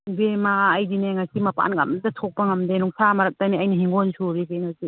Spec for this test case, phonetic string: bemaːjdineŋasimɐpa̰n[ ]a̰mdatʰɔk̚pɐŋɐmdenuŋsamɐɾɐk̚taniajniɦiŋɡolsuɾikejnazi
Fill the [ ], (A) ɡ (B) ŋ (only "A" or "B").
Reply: A